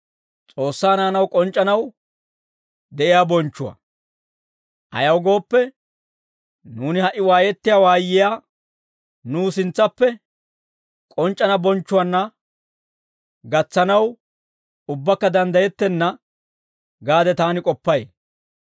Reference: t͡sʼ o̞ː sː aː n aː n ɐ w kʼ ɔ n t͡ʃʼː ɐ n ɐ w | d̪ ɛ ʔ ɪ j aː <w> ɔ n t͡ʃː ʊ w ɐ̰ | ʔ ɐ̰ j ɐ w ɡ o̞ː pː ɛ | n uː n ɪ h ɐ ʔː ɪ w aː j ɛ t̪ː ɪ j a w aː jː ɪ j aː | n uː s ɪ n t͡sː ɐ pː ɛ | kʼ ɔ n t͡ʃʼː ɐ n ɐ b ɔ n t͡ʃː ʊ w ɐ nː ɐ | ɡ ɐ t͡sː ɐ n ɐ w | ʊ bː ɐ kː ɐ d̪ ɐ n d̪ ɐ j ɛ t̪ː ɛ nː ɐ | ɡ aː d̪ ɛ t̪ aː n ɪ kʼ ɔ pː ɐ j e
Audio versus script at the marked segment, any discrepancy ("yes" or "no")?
yes